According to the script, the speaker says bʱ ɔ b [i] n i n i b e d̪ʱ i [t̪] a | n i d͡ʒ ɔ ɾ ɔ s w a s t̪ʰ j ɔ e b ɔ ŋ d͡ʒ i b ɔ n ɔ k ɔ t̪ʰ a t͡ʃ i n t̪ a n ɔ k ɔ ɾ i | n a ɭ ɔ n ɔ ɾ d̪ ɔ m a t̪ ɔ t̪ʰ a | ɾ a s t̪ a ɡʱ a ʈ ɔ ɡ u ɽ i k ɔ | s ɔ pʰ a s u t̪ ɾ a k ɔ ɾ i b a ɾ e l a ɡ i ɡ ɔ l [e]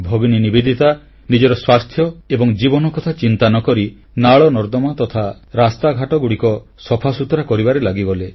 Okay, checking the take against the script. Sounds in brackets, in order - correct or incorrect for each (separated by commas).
correct, correct, correct